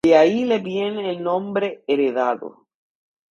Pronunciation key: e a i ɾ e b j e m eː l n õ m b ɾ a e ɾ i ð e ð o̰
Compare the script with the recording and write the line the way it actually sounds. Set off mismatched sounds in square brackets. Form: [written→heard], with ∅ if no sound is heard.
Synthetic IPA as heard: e a i [ɾ→l] e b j e [m→n] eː l n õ m b ɾ [a→e] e ɾ [i→e] ð [e→a] ð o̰

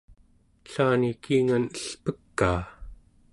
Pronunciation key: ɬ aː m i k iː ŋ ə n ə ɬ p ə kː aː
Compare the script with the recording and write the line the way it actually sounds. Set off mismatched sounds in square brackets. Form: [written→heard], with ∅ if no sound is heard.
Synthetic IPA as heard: ɬ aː [m→n] i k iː ŋ [ə→a] n ə ɬ p ə kː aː

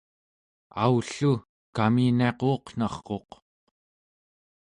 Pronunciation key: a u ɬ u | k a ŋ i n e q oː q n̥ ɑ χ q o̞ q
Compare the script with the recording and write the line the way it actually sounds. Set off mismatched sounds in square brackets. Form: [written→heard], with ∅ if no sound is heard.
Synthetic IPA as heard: a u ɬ u | k a [ŋ→m] i n e q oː q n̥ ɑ χ q o̞ q

